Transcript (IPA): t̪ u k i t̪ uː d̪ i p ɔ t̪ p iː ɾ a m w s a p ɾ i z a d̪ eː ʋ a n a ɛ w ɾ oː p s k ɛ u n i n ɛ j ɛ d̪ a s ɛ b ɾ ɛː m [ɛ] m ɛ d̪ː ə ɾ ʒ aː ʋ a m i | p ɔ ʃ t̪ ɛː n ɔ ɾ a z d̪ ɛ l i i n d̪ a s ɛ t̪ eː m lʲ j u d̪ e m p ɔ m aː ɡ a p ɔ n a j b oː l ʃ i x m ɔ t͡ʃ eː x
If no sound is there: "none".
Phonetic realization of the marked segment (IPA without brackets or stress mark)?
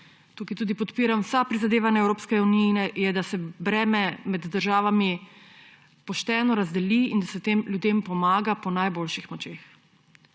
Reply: ɛ